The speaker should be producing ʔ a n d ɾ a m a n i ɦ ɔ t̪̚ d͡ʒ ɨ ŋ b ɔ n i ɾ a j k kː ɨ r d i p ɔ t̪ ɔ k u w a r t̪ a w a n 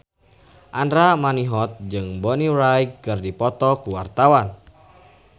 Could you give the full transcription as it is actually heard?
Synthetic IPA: ʔ a n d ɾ a m a n i ɦ ɔ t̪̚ d͡ʒ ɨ ŋ b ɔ n i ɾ a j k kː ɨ r d i p ɔ t̪ ɔ k u w a r t̪ a w a n